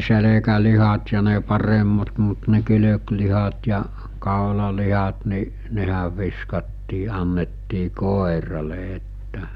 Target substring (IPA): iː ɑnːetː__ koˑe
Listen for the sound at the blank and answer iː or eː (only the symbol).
iː